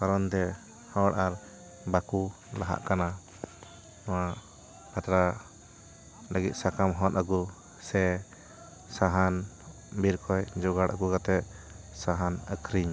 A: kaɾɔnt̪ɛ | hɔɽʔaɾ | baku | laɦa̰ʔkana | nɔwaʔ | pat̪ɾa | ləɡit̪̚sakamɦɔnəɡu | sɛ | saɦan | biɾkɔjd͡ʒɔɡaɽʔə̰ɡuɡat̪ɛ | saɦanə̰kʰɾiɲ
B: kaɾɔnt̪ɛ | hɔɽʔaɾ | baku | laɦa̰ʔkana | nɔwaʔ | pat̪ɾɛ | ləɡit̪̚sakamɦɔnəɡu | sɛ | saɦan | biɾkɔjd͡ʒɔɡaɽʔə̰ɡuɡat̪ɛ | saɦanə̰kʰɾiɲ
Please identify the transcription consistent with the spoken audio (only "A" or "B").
A